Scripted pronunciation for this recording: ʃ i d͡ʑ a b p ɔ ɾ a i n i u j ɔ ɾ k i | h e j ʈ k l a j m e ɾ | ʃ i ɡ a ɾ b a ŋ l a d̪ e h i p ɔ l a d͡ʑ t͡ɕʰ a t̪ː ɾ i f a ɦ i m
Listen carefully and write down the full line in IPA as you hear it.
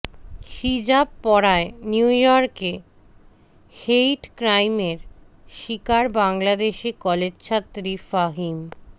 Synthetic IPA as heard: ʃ i d͡ʑ a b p ɔ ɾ a e n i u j ɔ ɾ k e | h e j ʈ k ɾ a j m e ɾ | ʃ i k a ɾ b a ŋ l a d̪ e ʃ i k ɔ l e d͡ʑ t͡ɕʰ a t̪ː ɾ i f a ɦ i m